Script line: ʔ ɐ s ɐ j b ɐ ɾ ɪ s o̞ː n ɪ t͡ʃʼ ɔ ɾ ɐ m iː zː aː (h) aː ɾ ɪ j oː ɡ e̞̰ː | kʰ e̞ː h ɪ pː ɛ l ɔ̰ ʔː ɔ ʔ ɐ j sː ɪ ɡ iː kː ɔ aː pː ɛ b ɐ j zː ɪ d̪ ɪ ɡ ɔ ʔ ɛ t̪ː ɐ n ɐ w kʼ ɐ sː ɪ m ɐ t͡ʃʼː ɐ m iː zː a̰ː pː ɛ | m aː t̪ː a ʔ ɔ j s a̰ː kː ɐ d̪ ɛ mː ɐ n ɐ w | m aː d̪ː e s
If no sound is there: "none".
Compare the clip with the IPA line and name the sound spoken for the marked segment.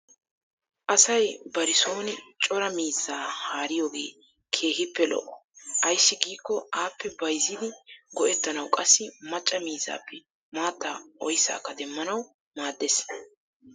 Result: h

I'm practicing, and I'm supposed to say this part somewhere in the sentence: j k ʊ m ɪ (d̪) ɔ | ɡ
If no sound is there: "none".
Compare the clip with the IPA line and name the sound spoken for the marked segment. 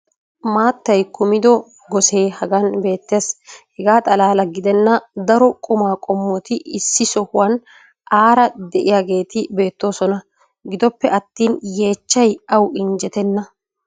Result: d̪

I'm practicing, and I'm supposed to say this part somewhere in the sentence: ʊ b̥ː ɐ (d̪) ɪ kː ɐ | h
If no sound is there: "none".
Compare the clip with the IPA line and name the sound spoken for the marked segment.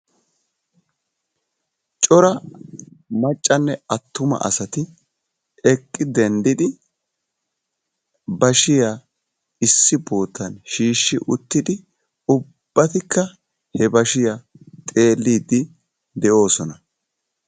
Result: t̪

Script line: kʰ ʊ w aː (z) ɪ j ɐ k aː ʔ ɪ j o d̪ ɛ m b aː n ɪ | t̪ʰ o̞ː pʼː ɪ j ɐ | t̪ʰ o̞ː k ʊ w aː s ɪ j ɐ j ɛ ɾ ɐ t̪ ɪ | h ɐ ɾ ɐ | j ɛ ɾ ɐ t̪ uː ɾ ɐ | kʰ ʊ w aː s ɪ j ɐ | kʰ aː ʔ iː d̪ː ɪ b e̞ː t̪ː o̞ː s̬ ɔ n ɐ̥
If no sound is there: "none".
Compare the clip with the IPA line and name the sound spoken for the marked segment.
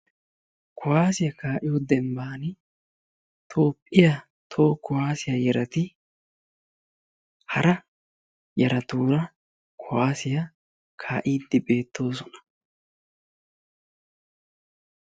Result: s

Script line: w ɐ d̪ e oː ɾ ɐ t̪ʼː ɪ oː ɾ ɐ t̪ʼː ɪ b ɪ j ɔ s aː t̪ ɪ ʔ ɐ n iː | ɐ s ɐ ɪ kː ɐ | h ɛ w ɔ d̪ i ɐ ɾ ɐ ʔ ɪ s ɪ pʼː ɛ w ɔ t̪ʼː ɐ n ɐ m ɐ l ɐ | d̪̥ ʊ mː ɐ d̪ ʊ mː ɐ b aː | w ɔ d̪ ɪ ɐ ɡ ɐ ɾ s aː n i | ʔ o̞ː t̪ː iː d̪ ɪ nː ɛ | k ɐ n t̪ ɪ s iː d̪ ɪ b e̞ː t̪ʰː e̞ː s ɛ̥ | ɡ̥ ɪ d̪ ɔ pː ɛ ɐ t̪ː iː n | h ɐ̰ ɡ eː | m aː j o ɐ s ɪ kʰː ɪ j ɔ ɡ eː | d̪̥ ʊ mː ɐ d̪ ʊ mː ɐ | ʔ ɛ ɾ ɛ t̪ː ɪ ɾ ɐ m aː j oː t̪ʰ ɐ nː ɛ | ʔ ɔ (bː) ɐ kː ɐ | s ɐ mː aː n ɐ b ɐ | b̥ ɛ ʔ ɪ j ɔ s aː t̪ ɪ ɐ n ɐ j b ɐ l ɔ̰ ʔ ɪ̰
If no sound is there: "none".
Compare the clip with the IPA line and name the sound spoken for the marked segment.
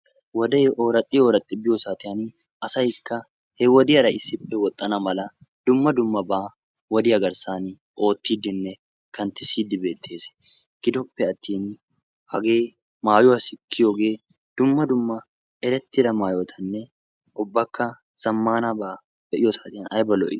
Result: bː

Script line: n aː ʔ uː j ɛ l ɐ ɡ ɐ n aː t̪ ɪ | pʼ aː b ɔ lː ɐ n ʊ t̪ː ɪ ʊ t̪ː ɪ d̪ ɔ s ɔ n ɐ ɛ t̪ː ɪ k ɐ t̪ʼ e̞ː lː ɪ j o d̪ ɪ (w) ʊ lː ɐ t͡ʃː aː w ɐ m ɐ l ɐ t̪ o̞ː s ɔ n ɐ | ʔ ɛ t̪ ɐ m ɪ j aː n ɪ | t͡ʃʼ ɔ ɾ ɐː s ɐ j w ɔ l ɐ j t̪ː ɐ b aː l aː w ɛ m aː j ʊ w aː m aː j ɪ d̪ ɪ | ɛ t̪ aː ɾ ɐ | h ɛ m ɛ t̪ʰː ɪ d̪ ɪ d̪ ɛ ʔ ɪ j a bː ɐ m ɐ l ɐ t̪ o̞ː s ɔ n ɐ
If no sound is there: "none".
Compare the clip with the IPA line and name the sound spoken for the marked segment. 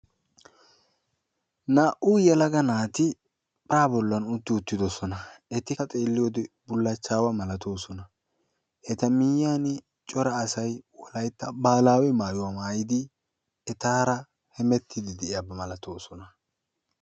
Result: b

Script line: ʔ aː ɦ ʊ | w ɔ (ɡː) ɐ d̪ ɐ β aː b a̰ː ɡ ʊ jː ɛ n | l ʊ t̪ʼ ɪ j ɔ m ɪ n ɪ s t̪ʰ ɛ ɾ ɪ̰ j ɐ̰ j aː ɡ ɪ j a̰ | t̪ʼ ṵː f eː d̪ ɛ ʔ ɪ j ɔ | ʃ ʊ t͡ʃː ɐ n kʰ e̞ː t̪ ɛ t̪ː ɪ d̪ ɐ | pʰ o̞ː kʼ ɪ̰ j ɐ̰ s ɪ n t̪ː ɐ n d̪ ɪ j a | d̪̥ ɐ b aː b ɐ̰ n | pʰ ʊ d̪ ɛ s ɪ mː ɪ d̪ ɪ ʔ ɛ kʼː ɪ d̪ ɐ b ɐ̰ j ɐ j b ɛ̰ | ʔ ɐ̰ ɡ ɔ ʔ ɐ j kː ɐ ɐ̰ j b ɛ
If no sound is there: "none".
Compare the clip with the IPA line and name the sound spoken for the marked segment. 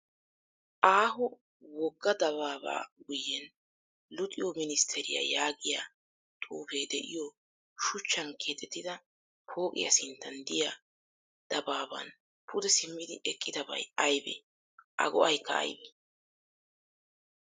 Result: ɡː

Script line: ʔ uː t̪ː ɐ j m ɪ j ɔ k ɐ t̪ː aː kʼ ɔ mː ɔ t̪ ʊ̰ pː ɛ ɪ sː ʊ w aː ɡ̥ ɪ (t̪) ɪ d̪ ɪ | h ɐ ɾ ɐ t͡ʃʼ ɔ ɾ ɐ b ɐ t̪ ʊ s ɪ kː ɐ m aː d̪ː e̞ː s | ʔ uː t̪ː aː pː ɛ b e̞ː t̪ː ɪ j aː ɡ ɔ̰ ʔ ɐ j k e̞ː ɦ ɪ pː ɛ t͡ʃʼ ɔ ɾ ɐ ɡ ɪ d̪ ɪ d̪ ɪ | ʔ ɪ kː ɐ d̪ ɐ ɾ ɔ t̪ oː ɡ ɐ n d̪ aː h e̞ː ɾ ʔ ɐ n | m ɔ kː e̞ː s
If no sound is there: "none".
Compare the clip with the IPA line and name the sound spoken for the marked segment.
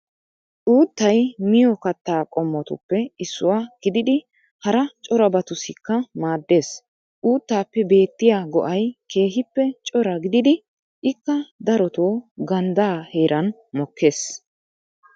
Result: d̪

